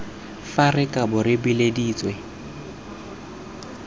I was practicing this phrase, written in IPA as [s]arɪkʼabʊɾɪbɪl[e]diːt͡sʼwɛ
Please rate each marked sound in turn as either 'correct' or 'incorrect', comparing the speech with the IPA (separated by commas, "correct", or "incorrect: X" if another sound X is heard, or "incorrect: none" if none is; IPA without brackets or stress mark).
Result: incorrect: f, correct